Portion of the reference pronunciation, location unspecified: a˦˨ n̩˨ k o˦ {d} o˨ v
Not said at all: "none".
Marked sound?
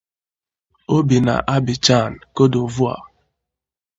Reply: d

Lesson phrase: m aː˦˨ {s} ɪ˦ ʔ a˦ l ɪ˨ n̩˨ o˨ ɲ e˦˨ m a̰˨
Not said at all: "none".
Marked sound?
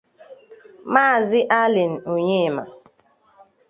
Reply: z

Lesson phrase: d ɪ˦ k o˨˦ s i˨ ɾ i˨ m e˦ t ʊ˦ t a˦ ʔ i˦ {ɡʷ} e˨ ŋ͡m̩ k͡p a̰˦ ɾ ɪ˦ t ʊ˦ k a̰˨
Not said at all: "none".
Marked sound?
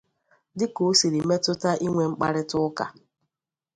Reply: ŋʷ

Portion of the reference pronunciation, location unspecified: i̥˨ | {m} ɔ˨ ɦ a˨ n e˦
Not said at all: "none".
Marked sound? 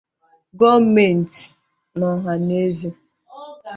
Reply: n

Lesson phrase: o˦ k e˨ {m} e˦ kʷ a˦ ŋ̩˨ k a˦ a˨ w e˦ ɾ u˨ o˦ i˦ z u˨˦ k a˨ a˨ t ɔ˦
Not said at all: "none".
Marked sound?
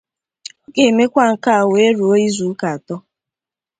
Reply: m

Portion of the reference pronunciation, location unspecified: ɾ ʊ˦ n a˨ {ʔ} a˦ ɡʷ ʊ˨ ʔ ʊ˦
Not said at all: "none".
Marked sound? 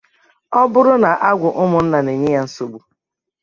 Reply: ʔ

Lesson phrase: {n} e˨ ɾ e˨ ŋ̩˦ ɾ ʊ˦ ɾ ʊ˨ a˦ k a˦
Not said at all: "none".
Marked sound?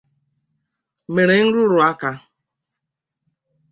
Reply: m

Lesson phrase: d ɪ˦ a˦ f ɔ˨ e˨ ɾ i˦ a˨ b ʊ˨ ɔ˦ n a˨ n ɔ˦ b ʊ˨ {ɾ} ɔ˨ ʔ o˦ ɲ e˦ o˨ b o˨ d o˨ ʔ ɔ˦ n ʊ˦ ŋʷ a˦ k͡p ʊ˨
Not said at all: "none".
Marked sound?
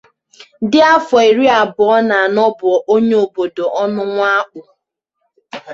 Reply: none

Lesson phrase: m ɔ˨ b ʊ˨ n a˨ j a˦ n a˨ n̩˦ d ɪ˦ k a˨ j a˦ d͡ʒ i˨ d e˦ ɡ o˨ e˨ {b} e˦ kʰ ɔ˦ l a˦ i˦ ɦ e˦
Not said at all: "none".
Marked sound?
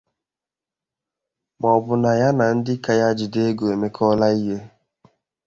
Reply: m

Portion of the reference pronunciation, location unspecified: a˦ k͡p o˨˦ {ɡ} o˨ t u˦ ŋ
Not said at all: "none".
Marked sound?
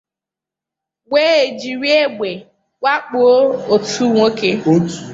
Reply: none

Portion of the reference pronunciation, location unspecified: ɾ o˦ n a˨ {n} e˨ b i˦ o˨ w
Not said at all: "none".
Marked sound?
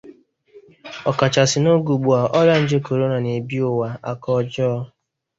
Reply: n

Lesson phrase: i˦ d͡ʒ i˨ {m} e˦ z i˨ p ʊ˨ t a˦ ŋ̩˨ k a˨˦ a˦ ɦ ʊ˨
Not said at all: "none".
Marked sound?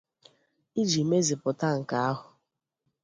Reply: m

